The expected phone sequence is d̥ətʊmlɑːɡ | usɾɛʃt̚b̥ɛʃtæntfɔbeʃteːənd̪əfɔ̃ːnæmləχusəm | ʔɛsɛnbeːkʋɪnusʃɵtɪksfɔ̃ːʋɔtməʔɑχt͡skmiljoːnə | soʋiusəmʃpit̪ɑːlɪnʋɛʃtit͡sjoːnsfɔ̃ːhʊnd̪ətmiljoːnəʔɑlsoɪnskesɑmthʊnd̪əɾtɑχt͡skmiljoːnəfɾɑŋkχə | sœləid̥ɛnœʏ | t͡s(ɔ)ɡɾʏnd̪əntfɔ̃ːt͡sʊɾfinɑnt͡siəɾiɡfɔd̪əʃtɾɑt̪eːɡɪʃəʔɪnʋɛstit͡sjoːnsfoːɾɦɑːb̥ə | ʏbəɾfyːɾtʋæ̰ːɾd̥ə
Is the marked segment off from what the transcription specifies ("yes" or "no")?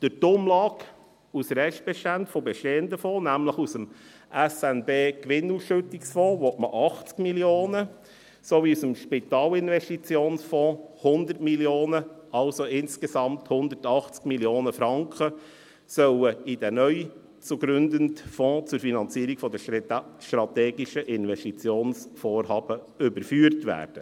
yes